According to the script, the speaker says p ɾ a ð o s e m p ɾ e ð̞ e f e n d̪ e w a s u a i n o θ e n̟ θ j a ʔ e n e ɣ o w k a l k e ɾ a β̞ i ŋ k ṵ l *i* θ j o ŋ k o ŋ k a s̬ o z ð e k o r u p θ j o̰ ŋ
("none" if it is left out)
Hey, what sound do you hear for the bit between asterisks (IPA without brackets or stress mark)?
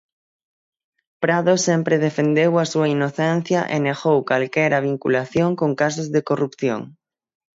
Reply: a